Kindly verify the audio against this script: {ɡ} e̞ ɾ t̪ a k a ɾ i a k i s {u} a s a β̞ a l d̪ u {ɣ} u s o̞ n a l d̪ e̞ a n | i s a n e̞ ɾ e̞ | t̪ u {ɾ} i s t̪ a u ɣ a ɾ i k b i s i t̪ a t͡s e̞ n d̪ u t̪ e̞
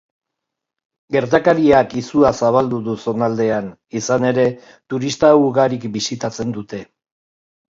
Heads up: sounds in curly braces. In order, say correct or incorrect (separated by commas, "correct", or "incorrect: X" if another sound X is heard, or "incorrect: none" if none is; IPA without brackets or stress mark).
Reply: correct, correct, incorrect: ð, correct